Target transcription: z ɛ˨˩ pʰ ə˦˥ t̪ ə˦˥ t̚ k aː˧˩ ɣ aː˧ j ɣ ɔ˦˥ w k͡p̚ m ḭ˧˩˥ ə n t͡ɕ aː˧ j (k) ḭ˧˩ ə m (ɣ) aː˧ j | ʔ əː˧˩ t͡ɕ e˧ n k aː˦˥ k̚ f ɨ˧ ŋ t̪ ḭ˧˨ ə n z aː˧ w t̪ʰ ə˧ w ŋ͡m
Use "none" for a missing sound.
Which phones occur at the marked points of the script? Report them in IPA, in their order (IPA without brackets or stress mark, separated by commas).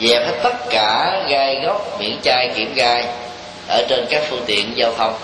k, ɣ